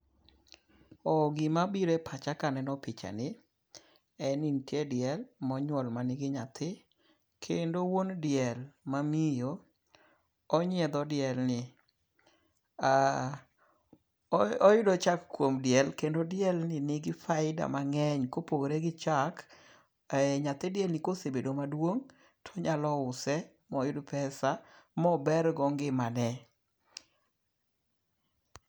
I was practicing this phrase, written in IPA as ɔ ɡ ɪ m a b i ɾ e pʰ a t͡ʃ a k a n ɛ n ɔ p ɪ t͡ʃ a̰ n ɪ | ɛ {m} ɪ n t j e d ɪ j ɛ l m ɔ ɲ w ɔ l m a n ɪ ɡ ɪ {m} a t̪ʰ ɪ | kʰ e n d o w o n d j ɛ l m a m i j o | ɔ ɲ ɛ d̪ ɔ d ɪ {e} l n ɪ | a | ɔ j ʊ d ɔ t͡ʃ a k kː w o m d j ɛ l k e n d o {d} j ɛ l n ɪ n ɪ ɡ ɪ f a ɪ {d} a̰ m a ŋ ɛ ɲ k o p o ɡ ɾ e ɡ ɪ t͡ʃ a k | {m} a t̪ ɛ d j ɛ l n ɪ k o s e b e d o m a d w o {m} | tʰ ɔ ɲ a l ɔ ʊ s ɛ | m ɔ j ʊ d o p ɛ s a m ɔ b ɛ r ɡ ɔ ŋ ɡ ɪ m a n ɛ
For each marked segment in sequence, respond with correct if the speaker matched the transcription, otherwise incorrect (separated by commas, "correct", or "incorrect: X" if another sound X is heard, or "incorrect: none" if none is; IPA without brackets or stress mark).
incorrect: n, incorrect: ɲ, incorrect: ɛ, correct, correct, incorrect: ɲ, incorrect: ŋ